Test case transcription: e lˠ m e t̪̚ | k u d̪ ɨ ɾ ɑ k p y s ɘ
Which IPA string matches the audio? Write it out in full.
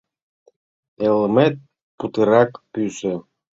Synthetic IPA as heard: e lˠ m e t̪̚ | p u t̪ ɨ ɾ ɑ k p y s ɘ

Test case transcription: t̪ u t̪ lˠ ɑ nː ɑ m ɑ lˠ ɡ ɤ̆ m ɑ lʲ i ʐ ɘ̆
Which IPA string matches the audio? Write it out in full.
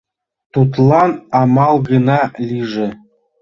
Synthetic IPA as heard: t̪ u t̪ lˠ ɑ n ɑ m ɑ lˠ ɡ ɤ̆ n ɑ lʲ i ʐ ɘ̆

